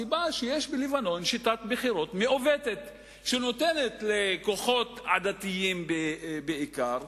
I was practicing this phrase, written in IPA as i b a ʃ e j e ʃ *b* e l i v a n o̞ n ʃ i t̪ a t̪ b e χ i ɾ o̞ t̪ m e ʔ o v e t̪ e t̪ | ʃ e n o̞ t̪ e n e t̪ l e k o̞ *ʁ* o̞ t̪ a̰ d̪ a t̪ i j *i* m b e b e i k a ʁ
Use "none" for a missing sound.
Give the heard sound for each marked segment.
b, χ, i

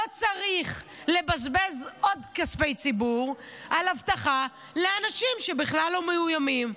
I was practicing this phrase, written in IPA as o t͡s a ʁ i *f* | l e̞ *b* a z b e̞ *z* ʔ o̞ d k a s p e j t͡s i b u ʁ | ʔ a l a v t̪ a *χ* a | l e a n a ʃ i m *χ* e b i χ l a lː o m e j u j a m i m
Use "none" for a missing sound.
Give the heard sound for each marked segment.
χ, b, z, χ, ʃ

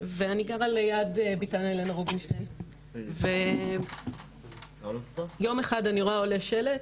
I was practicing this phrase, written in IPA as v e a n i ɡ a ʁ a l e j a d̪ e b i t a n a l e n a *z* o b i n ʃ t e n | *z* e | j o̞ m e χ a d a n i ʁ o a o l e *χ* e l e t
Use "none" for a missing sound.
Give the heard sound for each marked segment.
ʁ, v, ʃ

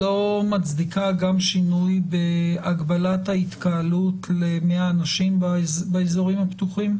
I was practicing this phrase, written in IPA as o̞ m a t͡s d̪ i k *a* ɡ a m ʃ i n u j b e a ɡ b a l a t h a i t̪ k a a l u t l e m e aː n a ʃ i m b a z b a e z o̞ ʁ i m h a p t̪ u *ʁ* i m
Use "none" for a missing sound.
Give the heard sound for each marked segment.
a, χ

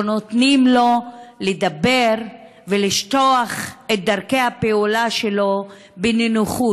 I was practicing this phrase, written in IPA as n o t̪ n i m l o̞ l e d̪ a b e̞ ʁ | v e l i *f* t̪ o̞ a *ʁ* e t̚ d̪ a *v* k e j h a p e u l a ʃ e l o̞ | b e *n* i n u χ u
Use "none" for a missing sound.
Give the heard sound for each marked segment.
ʃ, χ, ʁ, n

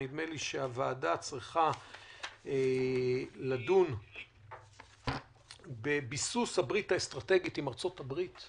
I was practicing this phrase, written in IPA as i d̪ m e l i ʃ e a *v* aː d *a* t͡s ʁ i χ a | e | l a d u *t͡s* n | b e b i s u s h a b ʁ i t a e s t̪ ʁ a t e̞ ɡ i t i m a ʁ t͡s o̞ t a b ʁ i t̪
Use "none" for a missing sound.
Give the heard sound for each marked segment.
v, a, none

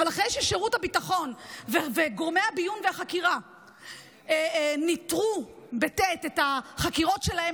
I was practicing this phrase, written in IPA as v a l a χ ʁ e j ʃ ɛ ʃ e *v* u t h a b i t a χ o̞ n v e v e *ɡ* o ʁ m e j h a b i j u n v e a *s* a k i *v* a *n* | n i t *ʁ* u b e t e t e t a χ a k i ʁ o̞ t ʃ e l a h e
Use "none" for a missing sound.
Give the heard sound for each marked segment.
ʁ, ɡ, χ, ʁ, none, ʁ

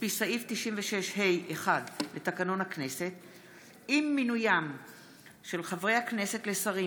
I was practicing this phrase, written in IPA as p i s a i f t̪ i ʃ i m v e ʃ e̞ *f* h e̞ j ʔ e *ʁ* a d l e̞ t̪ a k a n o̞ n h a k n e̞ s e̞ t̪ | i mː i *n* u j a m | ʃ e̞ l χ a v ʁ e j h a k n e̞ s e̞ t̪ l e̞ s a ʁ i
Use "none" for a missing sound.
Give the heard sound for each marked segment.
ʃ, χ, n

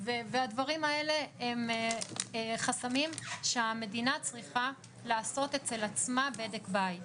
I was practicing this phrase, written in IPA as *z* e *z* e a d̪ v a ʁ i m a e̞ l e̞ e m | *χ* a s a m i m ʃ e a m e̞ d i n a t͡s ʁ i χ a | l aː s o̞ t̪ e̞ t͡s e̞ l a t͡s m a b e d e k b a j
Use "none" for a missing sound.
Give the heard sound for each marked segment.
v, v, χ

